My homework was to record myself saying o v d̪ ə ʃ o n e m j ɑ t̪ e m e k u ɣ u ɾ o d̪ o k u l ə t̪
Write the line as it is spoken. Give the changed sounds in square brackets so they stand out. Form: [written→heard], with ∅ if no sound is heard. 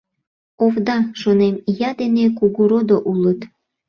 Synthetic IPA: o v d̪ [ə→ɑ] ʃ o n e m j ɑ [t̪→d̪] e [m→n] e k u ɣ u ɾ o d̪ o [k→ʔ] u l ə t̪